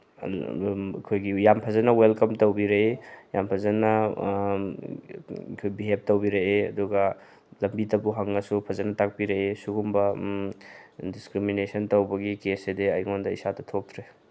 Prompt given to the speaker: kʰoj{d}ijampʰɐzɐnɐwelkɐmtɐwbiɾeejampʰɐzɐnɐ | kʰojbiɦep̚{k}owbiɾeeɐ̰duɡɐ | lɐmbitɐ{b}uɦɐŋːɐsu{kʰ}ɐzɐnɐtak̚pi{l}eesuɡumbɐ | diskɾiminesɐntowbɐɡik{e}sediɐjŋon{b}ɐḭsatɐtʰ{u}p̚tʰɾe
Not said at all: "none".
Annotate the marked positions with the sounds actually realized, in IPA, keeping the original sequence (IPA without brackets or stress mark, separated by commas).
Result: ɡ, t, b, pʰ, ɾ, e, d, o